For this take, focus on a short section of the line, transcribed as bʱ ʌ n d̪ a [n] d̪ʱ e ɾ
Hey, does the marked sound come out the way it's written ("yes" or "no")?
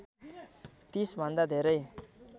no